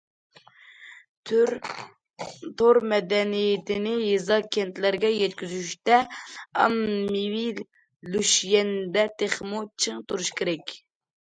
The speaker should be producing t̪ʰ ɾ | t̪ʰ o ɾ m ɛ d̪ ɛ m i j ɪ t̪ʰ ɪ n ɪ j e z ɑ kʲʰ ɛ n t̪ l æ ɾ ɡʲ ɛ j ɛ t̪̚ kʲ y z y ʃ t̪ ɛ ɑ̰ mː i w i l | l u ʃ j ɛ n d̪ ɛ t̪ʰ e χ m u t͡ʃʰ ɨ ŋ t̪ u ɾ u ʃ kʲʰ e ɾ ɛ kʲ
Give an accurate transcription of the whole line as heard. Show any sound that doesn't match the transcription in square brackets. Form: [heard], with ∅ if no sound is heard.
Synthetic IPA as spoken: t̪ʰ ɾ | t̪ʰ o ɾ m ɛ d̪ ɛ [n] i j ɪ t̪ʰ ɪ n ɪ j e z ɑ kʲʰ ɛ n t̪ l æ ɾ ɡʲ ɛ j ɛ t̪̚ kʲ y z y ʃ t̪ ɛ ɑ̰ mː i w i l | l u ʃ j ɛ n d̪ ɛ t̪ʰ e χ m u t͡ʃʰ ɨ ŋ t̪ u ɾ u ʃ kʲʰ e ɾ ɛ kʲ

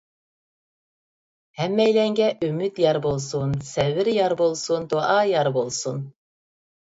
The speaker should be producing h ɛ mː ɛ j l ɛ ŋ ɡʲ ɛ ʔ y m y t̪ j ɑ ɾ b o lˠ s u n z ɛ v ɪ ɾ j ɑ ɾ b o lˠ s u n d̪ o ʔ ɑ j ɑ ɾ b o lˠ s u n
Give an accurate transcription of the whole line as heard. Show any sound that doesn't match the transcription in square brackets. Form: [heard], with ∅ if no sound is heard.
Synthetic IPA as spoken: h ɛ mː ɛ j l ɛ ŋ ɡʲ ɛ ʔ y m y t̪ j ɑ ɾ b o lˠ s u n [s] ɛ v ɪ ɾ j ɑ ɾ b o lˠ s u n d̪ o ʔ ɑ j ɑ ɾ b o lˠ s u n

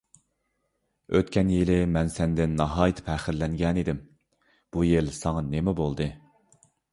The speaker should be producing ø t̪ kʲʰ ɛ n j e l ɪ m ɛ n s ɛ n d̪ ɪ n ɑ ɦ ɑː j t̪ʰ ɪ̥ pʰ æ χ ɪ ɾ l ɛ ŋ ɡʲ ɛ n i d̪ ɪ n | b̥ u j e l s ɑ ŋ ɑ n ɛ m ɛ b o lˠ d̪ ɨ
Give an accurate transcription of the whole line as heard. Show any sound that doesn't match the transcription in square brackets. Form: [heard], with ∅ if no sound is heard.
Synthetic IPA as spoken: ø t̪ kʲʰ ɛ n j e l ɪ m ɛ n s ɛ n d̪ ɪ [nː] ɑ ɦ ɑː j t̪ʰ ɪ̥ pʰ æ χ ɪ ɾ l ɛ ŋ ɡʲ ɛ n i d̪ ɪ [m] | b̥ u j e l s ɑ ŋ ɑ n [e] m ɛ b o lˠ d̪ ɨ

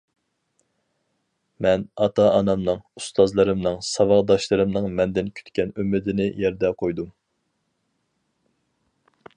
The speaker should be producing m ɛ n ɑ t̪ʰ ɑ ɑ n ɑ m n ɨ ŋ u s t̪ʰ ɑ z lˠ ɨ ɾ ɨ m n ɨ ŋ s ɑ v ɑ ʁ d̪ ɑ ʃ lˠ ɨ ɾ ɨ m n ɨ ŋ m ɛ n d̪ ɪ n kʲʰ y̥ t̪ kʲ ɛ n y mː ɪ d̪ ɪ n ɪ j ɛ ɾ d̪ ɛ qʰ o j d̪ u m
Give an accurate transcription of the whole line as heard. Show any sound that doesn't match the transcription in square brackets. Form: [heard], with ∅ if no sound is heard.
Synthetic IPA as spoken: m ɛ n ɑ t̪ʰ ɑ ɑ n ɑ m n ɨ ŋ u s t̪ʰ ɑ z lˠ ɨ ɾ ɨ m n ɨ ŋ s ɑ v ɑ ʁ d̪ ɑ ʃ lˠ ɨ ɾ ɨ m n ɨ ŋ m ɛ n d̪ ɪ n kʲʰ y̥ t̪ kʲ ɛ n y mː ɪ d̪ ɪ n ɪ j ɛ ɾ d̪ ɛ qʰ o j d̪ u m

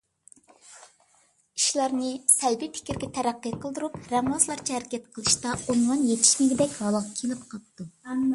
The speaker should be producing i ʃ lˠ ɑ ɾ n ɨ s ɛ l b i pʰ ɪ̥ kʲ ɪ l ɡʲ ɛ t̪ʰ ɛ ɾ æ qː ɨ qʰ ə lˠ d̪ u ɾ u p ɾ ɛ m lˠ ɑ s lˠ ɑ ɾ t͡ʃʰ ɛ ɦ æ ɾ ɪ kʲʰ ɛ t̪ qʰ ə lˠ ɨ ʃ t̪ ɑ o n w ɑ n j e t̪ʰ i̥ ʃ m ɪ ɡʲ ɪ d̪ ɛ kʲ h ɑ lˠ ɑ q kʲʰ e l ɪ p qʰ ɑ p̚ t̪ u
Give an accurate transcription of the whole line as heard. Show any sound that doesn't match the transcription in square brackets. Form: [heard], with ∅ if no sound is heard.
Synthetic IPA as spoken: i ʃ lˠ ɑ ɾ n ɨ s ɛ l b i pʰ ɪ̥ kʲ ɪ [ɾ] ɡʲ ɛ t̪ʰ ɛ ɾ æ qː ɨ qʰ ə lˠ d̪ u ɾ u p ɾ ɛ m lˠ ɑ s lˠ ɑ ɾ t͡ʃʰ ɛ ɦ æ ɾ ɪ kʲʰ ɛ t̪ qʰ ə lˠ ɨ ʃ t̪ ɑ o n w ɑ n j e t̪ʰ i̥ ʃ m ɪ ɡʲ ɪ d̪ ɛ kʲ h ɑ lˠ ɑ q kʲʰ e l ɪ p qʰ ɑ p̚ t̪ u

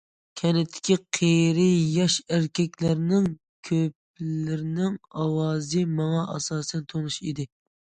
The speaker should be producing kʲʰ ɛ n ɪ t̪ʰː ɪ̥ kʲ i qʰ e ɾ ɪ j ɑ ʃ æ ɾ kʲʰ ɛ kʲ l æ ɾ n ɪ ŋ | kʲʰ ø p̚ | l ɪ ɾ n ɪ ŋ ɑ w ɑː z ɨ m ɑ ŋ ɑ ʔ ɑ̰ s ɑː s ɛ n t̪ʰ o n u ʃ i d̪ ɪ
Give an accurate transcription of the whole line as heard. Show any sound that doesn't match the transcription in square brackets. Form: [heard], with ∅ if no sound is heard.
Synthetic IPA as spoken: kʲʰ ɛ n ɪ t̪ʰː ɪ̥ kʲ i qʰ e ɾ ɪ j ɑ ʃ æ ɾ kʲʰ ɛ kʲ l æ ɾ n ɪ ŋ | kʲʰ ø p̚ | l ɪ ɾ n ɪ ŋ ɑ w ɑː z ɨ m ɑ ŋ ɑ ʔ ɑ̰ s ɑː s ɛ n t̪ʰ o n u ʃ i d̪ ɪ

